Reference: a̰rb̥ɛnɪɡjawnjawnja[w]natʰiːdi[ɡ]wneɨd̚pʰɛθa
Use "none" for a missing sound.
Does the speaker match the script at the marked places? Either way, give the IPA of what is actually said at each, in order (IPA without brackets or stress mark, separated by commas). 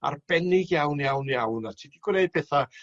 w, ɡ